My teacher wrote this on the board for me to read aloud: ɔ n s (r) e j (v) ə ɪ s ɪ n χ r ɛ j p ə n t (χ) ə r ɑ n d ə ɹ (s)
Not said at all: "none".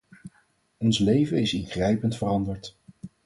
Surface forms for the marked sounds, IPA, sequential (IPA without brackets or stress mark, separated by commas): l, v, f, t